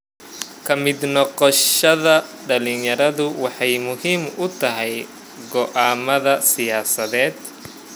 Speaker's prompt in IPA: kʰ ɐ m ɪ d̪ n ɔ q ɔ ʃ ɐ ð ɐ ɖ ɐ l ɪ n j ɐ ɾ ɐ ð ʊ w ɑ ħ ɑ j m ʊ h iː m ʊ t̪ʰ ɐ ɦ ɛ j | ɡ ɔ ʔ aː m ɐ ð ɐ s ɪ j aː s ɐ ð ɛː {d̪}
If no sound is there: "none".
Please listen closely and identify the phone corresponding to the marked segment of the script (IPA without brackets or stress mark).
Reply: d̪